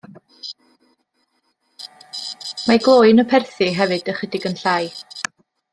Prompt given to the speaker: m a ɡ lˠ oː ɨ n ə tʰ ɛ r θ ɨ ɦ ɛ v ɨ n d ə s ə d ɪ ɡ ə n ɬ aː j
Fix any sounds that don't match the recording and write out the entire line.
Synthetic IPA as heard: m a ɡ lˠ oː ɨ n ə pʰ ɛ r θ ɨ ɦ ɛ v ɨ d ə χ ə d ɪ ɡ ə n ɬ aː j